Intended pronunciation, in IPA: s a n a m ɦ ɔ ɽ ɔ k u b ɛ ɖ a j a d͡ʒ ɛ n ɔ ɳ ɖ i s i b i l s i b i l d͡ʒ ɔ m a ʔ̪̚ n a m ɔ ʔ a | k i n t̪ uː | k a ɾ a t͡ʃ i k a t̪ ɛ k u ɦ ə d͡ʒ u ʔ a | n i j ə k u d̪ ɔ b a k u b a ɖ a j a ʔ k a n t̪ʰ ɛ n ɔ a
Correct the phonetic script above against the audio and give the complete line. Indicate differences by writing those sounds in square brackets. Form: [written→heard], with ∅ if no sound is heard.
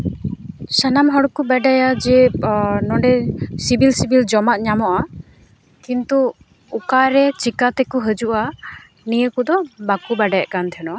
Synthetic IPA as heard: s a n a m ɦ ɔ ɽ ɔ k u b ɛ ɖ a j a d͡ʒ ɛ n ɔ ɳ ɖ [i→ɛ] s i b i l s i b i l d͡ʒ ɔ m a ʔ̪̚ [n→ɲ] a m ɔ ʔ a | k i n t̪ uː | k a ɾ [a→ɛ] t͡ʃ i k a t̪ ɛ k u ɦ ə d͡ʒ u ʔ a | n i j ə k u d̪ ɔ b a k u b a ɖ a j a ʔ k a n t̪ʰ ɛ n ɔ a